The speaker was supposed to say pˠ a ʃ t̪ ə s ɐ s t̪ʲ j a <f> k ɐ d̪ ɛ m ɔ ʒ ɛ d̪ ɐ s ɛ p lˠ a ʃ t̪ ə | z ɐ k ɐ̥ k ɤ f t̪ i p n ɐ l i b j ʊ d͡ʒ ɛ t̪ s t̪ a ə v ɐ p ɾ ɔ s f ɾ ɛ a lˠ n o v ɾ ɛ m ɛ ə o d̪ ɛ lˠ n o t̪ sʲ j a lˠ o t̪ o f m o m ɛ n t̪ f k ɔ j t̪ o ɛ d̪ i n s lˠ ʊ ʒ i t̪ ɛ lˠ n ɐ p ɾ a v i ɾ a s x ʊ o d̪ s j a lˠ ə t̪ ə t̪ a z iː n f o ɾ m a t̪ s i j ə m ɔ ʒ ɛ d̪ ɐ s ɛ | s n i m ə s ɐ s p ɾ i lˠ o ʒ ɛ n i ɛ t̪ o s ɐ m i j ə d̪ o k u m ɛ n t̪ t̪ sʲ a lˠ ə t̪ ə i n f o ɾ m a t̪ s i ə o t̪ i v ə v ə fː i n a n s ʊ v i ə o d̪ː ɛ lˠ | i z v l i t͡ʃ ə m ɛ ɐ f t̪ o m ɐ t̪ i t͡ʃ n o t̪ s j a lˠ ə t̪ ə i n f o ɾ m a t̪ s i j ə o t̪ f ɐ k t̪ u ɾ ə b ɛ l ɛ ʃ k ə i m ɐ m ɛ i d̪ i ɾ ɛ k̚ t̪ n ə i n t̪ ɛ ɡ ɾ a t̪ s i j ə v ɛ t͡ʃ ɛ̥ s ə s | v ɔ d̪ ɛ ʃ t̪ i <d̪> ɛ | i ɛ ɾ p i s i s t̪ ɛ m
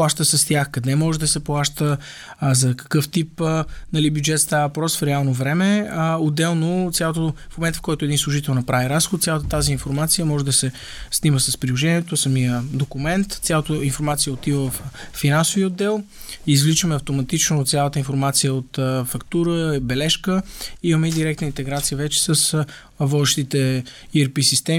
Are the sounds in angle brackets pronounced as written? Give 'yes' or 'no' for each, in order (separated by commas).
no, no